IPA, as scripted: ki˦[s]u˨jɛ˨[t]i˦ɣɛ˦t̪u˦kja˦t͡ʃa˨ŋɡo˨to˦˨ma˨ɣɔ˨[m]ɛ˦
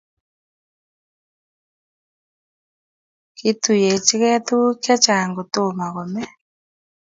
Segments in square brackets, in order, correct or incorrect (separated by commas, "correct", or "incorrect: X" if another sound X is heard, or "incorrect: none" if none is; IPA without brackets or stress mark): incorrect: t, incorrect: t͡ʃ, correct